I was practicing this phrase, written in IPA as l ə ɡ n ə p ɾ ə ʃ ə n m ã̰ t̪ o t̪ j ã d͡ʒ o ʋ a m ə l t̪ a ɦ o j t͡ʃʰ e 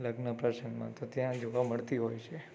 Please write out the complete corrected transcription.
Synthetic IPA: l ə ɡ n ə p ɾ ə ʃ ə n m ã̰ t̪ o t̪ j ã d͡ʒ o ʋ a m ə ɭ t̪ i ɦ o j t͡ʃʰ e

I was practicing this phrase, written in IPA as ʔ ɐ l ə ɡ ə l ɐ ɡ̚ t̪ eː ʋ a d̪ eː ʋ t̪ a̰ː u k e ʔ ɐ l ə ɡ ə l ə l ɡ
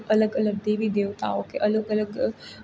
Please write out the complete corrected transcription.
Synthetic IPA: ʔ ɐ l ə ɡ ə l ə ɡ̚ d̪ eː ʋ i d̪ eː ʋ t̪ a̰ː o k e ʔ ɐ l ə ɡ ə l ə ɡ

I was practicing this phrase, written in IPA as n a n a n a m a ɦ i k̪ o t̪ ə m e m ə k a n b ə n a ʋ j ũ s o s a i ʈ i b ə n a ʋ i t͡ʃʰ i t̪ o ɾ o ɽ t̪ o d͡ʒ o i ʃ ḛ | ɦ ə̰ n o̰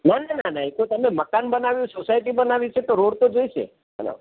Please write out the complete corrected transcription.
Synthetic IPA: n a n a n a n a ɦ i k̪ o t̪ ə m e m ə k a n b ə n a ʋ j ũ s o s a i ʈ i b ə n a ʋ i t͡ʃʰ e t̪ o ɾ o ɽ t̪ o d͡ʒ o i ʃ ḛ | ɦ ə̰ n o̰

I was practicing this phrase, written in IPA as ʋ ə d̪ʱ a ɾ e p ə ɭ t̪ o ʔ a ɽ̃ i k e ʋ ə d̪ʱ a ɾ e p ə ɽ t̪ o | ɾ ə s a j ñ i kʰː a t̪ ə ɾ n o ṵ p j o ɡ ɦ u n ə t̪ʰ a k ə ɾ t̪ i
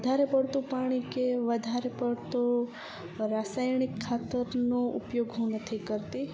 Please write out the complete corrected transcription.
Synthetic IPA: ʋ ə d̪ʱ a ɾ e p ə ɽ t̪ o p a ɽ̃ i k e ʋ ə d̪ʱ a ɾ e p ə ɽ t̪ o | ɾ a s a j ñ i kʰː a t̪ ə ɾ n o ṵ p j o ɡ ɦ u n ə t̪ʰ i k ə ɾ t̪ i

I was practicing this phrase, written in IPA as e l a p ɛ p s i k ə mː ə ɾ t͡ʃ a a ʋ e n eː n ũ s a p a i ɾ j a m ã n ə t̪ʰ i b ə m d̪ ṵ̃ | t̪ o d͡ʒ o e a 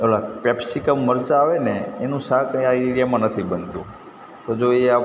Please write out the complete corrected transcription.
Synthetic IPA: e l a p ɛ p s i k ə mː ə ɾ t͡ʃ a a ʋ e n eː n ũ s a k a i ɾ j a m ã n ə t̪ʰ i b ə n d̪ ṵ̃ | t̪ o d͡ʒ o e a

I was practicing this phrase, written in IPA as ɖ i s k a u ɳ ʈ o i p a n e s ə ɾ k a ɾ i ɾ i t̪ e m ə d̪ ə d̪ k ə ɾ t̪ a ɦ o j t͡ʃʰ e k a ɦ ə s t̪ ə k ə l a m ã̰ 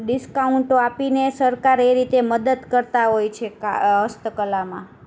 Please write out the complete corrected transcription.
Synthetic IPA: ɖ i s k a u ɳ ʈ o a p i n e s ə ɾ k a ɾ e ɾ i t̪ e m ə d̪ ə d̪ k ə ɾ t̪ a ɦ o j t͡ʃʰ e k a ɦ ə s t̪ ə k ə l a m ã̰

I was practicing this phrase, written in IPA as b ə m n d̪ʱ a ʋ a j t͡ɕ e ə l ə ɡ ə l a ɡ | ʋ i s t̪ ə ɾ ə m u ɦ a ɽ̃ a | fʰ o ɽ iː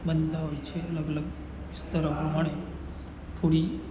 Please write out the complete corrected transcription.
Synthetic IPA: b ə n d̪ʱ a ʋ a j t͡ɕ e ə l ə ɡ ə l ə ɡ | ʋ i s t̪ ə ɾ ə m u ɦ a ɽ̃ e | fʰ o ɽ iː

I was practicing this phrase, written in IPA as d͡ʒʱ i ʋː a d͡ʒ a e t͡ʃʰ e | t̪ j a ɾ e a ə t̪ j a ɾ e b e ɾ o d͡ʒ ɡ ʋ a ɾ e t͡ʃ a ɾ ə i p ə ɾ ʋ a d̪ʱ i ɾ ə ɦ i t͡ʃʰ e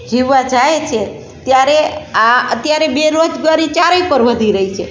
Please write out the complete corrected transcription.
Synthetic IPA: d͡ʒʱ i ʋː a d͡ʒ a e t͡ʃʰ e | t̪ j a ɾ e a ə t̪ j a ɾ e b e ɾ o d͡ʒ ɡ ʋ a ɾ i t͡ʃ a ɾ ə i p ə ɾ ʋ ə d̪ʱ i ɾ ə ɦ i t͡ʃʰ e

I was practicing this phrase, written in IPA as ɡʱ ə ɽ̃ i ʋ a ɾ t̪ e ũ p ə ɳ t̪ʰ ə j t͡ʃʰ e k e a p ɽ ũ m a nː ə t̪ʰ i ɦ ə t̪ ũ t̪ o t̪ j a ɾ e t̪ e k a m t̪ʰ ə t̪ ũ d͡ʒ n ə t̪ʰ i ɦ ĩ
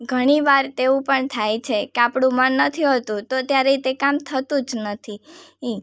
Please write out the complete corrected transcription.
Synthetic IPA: ɡʱ ə ɽ̃ i ʋ a ɾ t̪ e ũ p ə ɳ t̪ʰ a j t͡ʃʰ e k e a p ɽ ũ m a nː ə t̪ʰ i ɦ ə t̪ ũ t̪ o t̪ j a ɾ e t̪ e k a m t̪ʰ ə t̪ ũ d͡ʒ n ə t̪ʰ i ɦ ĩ

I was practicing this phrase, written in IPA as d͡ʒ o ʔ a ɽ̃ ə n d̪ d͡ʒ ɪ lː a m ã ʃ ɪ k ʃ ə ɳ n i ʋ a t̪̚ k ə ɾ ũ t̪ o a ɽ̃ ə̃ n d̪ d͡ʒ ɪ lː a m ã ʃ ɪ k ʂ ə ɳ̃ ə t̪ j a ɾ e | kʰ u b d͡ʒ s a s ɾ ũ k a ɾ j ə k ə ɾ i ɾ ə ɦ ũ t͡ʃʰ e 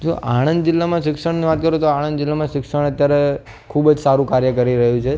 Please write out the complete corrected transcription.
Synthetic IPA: d͡ʒ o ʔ a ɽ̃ ə n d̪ d͡ʒ ɪ lː a m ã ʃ ɪ k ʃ ə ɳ n i ʋ a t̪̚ k ə ɾ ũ t̪ o a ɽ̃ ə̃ n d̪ d͡ʒ ɪ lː a m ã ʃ ɪ k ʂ ə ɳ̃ ə t̪ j a ɾ e | kʰ u b d͡ʒ s a ɾ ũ k a ɾ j ə k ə ɾ i ɾ ə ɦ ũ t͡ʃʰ e

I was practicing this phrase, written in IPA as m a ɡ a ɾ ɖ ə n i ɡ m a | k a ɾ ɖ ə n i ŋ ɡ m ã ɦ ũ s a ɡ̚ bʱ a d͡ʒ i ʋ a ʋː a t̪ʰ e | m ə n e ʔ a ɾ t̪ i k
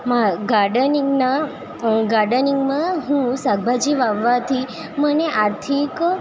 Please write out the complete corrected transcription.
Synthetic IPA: m a ɡ a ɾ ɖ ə n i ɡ n a | ɡ a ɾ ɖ ə n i ŋ ɡ m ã ɦ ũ s a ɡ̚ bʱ a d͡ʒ i ʋ a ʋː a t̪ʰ i | m ə n e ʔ a ɾ t̪ʰ i k

